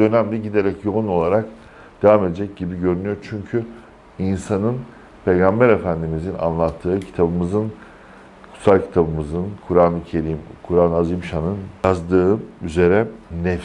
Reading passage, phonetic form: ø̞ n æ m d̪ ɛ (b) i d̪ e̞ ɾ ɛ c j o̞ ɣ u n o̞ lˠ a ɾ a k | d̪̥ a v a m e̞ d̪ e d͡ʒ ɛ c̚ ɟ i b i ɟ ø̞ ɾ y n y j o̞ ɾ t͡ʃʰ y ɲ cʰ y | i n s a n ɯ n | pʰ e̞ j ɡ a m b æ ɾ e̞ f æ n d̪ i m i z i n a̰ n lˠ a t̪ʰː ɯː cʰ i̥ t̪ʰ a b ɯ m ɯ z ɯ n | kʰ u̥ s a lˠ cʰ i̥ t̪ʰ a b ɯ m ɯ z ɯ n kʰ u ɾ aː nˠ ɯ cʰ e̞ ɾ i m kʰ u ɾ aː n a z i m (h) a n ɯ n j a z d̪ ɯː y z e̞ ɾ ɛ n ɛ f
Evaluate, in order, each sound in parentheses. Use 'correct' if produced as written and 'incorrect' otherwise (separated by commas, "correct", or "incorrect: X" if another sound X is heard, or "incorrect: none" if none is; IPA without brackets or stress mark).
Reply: incorrect: ɟ, incorrect: ʃ